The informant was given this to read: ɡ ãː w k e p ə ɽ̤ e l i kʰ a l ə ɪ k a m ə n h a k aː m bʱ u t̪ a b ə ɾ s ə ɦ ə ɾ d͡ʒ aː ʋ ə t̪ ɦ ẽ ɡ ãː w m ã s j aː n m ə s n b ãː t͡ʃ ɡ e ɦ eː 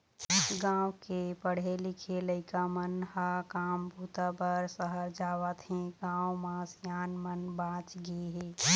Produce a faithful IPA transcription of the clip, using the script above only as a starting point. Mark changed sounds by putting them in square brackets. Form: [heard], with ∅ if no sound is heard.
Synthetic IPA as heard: ɡ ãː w k e p ə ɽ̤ e l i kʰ [e] l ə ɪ k a m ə n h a k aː m bʱ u t̪ a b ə ɾ s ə ɦ ə ɾ d͡ʒ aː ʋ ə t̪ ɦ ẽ ɡ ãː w m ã s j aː n m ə [∅] n b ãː t͡ʃ ɡ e ɦ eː